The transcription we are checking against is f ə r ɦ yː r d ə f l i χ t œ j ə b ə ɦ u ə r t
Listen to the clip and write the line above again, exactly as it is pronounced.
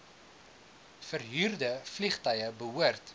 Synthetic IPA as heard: f ə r ɦ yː r d ə f l i χ t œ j ə b ə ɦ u ə r t